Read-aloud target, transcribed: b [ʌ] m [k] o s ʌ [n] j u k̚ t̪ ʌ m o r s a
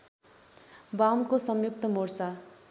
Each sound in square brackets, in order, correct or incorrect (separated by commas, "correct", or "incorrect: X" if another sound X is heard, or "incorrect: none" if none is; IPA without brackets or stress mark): incorrect: a, correct, incorrect: m